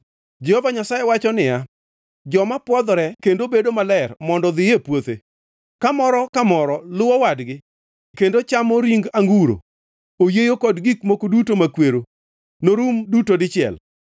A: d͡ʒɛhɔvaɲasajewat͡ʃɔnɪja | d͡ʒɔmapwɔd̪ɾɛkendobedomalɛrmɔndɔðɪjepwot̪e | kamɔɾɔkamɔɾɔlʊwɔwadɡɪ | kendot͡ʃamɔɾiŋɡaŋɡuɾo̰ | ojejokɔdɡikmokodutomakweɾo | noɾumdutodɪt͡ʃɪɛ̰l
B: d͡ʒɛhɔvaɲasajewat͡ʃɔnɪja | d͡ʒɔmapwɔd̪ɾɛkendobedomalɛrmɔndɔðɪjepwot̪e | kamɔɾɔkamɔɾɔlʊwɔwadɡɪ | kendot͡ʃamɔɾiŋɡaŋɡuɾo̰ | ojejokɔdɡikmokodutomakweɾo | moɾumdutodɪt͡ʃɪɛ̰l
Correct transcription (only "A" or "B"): A